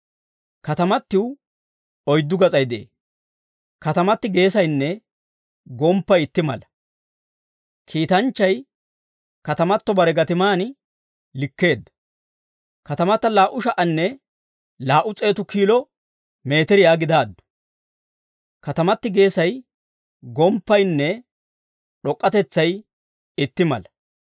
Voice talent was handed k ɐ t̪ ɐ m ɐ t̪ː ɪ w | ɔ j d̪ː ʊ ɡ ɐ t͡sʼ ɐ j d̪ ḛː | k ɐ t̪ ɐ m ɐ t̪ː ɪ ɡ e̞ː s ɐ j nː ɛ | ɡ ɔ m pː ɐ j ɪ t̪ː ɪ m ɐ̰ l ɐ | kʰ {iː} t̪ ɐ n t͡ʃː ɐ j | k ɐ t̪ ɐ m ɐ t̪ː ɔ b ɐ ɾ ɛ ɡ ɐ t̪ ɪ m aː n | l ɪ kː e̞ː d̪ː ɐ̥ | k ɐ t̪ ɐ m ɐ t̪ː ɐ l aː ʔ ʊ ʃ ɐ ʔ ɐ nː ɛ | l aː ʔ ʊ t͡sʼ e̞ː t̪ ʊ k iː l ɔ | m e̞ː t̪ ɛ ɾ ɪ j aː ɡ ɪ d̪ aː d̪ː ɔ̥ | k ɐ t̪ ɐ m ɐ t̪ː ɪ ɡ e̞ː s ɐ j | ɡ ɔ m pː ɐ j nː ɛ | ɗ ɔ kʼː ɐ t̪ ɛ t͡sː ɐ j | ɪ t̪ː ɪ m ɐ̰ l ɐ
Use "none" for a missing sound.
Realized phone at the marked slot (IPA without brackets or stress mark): iː